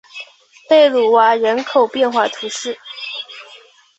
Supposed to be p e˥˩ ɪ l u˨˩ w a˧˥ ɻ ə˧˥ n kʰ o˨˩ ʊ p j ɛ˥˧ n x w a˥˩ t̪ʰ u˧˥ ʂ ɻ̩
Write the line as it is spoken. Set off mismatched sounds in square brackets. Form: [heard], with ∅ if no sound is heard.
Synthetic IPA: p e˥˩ ɪ l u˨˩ w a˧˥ ɻ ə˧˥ n kʰ o˨˩ ʊ p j ɛ˥˧ n x w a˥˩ t̪ʰ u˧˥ ʂ ɻ̩